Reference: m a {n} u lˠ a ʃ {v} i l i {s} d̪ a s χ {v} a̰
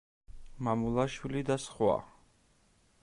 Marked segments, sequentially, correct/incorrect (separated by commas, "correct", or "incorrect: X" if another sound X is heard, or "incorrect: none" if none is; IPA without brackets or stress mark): incorrect: m, incorrect: w, incorrect: none, incorrect: w